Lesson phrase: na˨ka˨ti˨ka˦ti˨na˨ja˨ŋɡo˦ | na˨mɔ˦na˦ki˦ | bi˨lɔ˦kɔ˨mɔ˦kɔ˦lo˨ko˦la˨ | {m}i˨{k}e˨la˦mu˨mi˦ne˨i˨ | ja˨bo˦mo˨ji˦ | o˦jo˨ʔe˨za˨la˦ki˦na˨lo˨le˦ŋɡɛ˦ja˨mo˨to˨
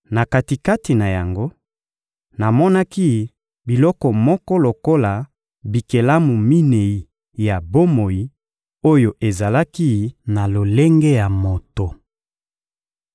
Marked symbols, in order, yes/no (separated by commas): no, yes